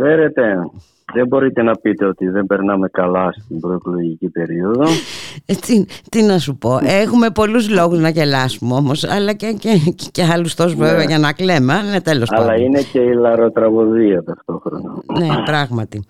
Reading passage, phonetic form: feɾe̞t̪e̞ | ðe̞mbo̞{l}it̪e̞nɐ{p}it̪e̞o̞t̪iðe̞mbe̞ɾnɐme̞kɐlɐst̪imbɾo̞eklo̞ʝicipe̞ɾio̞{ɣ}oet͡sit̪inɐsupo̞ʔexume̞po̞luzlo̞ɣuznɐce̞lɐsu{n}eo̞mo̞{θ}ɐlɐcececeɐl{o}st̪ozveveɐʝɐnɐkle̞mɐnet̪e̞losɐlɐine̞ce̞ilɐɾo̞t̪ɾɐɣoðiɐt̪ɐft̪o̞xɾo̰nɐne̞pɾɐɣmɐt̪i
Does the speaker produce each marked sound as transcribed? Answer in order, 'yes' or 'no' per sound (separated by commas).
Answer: no, yes, no, no, no, no